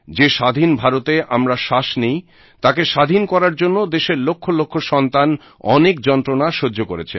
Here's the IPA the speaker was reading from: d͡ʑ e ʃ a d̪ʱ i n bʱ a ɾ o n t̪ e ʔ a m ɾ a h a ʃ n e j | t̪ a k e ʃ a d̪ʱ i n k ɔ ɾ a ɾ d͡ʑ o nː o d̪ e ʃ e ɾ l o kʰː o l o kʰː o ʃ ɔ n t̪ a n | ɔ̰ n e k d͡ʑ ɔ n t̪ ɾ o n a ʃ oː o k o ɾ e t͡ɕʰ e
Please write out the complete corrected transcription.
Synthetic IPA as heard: d͡ʑ e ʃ a d̪ʱ i n bʱ a ɾ o t̪ e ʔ a m ɾ a ʃ a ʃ n e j | t̪ a k e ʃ a d̪ʱ i n k ɔ ɾ a ɾ d͡ʑ o nː o d̪ e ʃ e ɾ l o kʰː o l o kʰː o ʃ ɔ n t̪ a n | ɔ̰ n e k d͡ʑ ɔ n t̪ ɾ o n a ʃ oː o k o ɾ e t͡ɕʰ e